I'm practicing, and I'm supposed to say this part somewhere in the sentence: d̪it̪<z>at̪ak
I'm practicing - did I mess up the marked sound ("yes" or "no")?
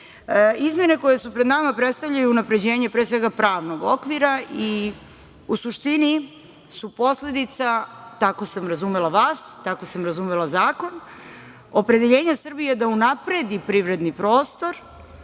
yes